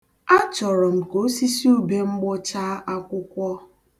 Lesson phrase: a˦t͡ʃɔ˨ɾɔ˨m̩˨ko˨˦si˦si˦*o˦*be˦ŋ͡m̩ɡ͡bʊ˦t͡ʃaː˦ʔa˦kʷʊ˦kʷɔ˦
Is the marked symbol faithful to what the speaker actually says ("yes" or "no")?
no